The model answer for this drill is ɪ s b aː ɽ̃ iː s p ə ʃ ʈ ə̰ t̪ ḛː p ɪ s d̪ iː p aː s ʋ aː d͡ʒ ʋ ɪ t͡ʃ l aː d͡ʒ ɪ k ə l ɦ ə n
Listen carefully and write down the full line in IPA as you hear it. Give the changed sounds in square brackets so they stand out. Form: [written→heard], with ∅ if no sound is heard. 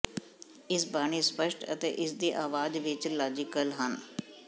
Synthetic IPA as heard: ɪ s b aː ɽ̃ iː s p ə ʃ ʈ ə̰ t̪ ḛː [p→ʔ] ɪ s d̪ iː [p→ʔ] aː [s→∅] ʋ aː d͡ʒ ʋ ɪ t͡ʃ l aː d͡ʒ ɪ k ə l ɦ ə n